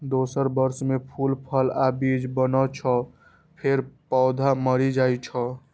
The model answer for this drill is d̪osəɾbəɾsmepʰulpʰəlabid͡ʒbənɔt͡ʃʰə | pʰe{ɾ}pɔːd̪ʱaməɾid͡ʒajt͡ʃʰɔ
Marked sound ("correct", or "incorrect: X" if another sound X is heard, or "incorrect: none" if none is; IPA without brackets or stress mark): correct